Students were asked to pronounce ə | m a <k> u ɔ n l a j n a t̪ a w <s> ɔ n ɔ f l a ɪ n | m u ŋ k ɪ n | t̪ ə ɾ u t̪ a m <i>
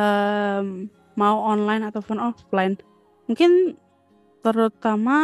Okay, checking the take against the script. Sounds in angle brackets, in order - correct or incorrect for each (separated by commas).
incorrect, incorrect, incorrect